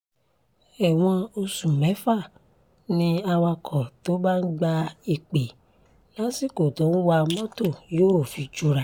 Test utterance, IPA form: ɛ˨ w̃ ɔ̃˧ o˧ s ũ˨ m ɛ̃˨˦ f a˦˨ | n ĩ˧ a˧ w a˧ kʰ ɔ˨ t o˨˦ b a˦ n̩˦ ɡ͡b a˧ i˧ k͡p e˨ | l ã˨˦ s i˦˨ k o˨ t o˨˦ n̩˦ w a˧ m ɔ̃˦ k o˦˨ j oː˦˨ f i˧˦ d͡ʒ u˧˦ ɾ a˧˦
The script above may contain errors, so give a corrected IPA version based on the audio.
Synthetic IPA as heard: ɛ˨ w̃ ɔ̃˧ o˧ s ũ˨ m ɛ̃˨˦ f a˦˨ | n ĩ˧ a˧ w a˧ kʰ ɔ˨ t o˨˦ b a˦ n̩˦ ɡ͡b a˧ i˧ k͡p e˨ | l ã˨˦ s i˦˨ k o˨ t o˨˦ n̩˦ w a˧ m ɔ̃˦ t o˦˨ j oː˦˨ f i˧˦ d͡ʒ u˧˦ ɾ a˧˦